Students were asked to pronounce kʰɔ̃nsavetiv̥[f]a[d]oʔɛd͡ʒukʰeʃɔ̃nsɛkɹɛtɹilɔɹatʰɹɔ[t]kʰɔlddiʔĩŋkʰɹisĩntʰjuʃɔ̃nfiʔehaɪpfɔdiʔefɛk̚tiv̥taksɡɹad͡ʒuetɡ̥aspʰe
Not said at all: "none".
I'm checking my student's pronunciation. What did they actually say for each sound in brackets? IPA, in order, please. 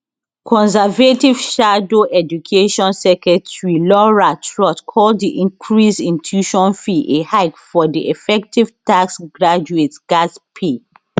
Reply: ʃ, d, t

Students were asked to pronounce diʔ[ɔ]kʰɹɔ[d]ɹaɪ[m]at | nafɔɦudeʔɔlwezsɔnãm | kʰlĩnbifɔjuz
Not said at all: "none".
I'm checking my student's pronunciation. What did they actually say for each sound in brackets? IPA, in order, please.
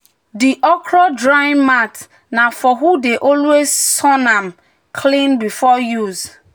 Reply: ɔ, d, m

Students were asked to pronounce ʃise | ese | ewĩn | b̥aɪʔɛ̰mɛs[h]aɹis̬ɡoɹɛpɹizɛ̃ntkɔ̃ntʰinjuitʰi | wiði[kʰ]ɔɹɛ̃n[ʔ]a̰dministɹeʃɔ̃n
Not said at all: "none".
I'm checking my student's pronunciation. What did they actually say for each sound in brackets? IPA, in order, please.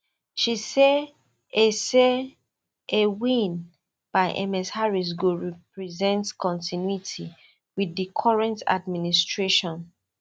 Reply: h, kʰ, t

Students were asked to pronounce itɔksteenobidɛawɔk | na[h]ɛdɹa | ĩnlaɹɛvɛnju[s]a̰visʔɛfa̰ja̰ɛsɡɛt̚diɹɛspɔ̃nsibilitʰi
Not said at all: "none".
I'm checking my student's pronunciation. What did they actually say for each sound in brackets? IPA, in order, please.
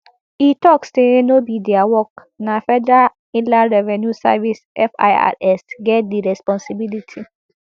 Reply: f, s

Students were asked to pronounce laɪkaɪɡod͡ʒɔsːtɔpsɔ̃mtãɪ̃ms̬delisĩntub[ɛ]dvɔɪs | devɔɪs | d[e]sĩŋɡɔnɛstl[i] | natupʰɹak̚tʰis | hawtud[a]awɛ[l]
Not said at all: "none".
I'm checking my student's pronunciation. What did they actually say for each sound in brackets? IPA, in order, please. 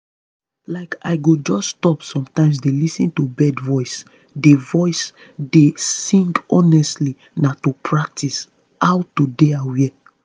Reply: ɛ, e, i, e, none

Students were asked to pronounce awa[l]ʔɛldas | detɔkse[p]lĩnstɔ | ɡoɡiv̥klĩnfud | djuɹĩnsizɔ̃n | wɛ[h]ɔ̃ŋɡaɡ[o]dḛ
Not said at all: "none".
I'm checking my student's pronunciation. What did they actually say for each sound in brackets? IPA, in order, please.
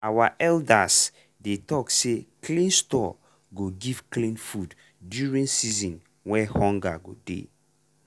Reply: none, k, h, o

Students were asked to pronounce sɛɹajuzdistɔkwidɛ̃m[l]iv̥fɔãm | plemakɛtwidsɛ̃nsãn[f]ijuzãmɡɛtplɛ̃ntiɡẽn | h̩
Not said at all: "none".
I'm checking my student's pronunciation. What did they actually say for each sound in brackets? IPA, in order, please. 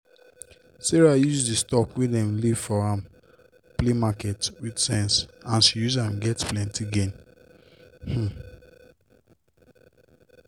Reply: l, ʃ

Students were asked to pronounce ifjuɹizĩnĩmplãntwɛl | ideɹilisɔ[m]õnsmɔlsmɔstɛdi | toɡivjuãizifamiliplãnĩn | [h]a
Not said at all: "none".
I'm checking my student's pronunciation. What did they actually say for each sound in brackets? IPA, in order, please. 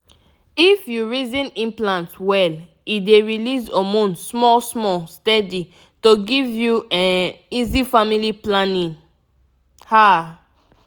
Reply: m, h

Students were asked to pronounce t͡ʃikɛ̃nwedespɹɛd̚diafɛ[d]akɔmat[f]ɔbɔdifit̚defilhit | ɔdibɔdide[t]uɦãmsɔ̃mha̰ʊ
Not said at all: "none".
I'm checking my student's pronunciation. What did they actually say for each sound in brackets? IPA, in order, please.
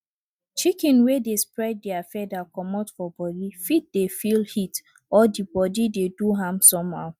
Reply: d, f, d

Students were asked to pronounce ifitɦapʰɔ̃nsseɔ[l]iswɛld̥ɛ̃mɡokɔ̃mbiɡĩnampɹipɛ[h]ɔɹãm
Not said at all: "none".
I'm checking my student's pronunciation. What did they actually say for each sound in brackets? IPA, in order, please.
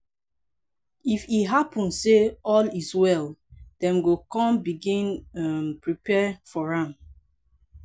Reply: l, f

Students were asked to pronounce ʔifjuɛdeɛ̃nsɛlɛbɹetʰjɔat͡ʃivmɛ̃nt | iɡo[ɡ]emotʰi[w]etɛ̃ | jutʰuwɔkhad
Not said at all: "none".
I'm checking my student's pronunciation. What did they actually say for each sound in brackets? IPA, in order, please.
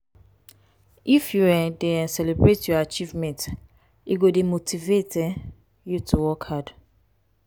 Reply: d, v

